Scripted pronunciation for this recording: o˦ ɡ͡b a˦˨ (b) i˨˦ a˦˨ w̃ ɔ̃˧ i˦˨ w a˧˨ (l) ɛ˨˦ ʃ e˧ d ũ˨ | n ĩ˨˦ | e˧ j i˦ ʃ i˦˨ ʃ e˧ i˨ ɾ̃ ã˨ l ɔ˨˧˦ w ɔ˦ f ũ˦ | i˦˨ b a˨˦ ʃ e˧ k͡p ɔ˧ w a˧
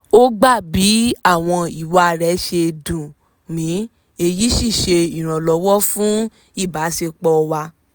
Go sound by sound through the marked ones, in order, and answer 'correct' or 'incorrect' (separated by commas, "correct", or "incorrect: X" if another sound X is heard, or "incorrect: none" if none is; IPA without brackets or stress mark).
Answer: correct, incorrect: ɾ